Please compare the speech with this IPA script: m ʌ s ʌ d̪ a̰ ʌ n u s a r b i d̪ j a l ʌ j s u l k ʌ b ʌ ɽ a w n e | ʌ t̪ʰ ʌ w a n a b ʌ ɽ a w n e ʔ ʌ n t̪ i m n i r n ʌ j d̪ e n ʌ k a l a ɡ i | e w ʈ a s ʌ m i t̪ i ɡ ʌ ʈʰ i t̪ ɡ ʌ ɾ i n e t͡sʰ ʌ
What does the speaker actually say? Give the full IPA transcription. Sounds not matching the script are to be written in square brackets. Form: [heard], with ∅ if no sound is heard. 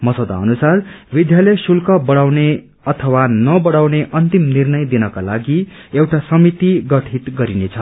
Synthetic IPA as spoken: m ʌ s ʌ d̪ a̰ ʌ n u s a r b i d̪ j a l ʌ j s u l k ʌ b ʌ ɽ a w n e | ʌ t̪ʰ ʌ w a n [ʌ] b ʌ ɽ a w n e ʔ ʌ n t̪ i m n i r n ʌ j d̪ [i] n ʌ k a l a ɡ i | e w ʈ a s ʌ m i t̪ i ɡ ʌ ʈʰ i t̪ ɡ ʌ ɾ i n e t͡sʰ ʌ